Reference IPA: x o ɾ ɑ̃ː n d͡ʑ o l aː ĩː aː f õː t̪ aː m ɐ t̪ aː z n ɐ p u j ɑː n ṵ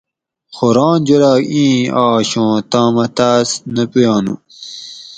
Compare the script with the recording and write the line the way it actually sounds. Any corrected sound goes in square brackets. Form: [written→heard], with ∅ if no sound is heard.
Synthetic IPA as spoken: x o ɾ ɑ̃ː n d͡ʑ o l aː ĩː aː [f→ɕ] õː t̪ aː m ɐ t̪ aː [z→s] n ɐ p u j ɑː n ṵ